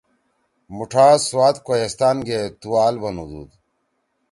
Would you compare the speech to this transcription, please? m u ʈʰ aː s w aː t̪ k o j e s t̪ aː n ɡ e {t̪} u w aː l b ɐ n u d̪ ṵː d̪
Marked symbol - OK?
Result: yes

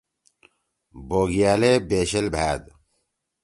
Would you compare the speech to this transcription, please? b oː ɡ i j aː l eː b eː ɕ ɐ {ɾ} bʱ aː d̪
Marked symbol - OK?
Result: no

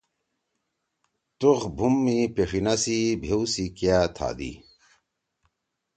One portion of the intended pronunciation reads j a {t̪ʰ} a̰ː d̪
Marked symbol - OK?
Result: yes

